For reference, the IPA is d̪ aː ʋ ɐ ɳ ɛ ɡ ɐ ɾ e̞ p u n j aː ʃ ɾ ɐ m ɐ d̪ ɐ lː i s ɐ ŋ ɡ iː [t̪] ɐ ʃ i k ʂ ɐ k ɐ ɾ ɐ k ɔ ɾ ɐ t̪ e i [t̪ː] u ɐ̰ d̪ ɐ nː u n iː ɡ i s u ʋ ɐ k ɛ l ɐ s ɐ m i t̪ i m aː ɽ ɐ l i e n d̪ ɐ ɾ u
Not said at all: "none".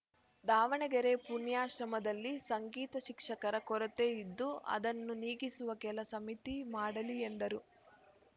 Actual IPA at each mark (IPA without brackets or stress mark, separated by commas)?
t̪, d̪ː